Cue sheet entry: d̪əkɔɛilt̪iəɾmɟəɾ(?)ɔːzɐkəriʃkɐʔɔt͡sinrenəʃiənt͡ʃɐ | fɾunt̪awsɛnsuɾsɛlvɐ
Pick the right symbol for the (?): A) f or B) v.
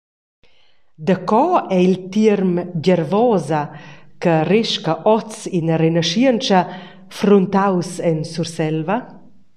B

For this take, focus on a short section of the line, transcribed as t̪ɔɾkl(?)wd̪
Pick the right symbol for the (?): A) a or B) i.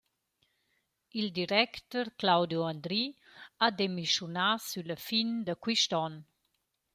A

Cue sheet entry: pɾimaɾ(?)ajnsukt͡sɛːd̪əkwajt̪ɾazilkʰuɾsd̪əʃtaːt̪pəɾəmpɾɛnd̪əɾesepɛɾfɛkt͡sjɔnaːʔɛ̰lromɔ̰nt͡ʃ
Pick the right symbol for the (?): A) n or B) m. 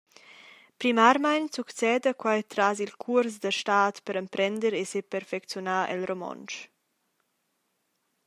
B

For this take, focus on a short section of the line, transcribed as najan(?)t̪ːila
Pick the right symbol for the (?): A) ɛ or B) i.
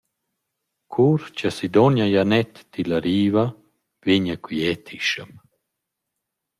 A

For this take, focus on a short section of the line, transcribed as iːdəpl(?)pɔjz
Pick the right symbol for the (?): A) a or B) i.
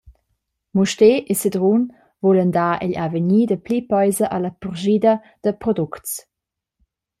B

